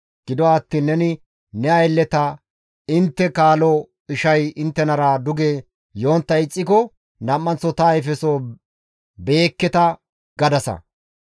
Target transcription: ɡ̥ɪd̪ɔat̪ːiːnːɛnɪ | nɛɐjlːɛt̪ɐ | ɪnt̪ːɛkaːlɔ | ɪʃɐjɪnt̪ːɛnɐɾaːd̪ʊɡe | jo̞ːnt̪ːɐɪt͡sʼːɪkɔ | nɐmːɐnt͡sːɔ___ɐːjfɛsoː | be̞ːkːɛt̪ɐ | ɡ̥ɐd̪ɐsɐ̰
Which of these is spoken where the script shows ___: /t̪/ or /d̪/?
t̪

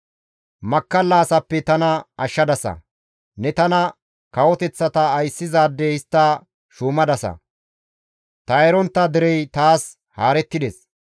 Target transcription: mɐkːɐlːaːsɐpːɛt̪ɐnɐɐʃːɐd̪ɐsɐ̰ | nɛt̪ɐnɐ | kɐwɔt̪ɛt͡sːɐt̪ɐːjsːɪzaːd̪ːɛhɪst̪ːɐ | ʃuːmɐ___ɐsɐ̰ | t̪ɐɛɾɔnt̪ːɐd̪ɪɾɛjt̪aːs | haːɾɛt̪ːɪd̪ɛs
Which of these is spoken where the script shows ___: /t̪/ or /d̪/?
d̪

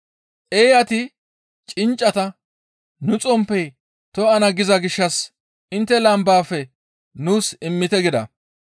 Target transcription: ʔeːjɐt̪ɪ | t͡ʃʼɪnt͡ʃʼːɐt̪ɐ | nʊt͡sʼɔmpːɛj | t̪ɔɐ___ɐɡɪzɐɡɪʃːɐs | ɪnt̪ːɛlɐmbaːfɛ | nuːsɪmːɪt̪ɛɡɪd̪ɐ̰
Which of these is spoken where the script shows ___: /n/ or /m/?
n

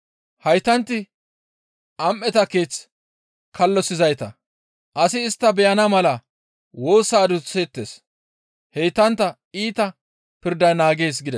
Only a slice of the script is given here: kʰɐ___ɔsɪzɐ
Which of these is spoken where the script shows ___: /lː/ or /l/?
lː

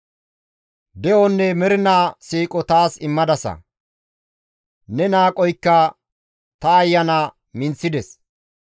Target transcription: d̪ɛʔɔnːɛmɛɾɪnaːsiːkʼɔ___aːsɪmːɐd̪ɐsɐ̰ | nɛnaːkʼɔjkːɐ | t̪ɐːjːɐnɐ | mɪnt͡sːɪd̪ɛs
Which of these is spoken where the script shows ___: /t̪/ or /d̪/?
t̪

